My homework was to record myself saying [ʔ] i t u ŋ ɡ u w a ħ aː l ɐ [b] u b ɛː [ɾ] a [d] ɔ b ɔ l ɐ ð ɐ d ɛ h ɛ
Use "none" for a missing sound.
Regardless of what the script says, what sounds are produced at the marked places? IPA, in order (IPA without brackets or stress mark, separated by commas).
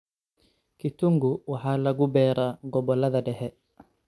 k, ɡ, ɾ, ɡ